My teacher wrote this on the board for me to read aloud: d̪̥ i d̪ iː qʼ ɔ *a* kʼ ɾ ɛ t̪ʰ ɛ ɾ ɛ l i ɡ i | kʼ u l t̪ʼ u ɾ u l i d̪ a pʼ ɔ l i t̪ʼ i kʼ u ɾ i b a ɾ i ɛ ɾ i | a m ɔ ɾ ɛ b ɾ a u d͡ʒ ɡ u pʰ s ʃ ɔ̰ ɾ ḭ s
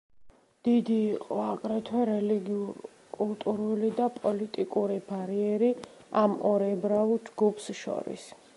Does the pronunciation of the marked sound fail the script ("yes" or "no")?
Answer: no